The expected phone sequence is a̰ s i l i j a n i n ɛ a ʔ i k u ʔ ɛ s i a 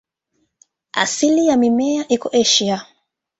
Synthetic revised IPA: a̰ s i l i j a m i m ɛ a ʔ i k ɔ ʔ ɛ ʃ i a